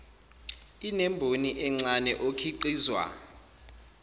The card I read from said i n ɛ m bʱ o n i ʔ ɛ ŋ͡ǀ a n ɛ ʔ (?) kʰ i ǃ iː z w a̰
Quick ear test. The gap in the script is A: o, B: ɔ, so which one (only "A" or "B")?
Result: A